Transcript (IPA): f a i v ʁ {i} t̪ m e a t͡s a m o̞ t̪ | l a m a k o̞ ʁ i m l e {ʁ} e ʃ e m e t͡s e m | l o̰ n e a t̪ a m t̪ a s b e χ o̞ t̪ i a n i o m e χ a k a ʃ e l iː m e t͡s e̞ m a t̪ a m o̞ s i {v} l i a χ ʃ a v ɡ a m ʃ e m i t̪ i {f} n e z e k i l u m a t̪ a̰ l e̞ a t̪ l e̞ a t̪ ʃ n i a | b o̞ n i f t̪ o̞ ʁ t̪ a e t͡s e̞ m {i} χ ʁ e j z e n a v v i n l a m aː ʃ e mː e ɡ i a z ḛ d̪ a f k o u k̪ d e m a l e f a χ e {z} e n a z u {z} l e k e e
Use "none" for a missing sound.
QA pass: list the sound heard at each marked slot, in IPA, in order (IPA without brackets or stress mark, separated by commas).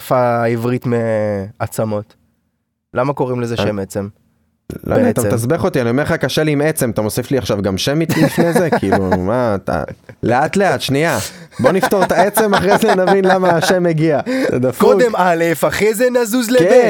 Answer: i, z, f, f, a, z, z